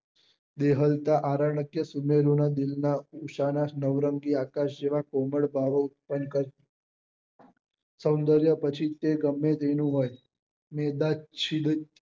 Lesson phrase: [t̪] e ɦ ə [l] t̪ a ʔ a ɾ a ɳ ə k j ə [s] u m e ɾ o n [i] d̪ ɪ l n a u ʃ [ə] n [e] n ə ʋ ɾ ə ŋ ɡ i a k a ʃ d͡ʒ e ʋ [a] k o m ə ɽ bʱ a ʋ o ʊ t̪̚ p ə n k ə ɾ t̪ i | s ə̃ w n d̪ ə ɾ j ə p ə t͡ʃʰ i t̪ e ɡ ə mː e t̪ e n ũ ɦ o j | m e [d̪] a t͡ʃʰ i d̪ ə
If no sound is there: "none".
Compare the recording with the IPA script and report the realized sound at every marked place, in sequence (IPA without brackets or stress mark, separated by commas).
d̪, l, s, a, a, a, a, d̪